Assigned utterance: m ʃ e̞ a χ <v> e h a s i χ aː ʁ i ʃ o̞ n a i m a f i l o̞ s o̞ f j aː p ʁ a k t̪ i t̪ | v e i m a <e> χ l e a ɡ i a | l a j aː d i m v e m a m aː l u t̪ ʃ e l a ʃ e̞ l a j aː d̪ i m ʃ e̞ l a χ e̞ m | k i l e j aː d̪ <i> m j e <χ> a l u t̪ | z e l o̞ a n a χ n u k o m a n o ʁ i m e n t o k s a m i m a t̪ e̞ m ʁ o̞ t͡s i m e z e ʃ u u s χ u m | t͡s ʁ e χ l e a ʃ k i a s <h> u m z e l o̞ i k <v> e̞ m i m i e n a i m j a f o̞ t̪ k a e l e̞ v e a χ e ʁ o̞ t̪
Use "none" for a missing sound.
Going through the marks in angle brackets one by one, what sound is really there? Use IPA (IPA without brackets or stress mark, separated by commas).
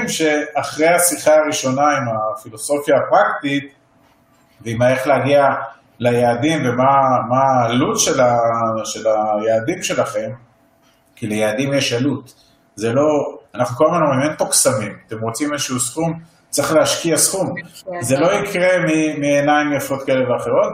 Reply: ʁ, e, i, ʃ, χ, ʁ